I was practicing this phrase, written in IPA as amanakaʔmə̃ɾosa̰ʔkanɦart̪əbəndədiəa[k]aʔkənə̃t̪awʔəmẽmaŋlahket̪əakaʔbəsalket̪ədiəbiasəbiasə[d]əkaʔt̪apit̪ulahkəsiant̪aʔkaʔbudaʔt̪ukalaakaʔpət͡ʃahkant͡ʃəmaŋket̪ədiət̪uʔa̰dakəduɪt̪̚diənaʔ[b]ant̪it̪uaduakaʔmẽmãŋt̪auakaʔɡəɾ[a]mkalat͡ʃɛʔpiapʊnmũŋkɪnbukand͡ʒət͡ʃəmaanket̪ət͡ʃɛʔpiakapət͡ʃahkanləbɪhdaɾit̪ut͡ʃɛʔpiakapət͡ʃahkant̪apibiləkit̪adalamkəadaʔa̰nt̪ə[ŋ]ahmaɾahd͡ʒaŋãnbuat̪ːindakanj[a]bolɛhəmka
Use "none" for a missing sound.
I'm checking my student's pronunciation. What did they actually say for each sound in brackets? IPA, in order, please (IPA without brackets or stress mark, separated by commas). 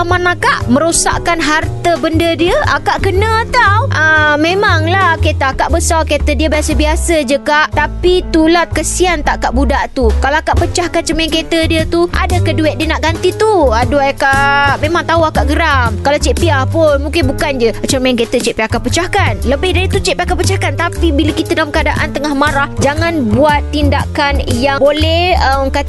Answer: k, d͡ʒ, ɡ, a, ŋ, a